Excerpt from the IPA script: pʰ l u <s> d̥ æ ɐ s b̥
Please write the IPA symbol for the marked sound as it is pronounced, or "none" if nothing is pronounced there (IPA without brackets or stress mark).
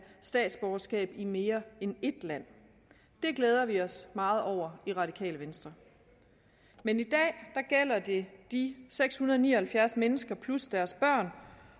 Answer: s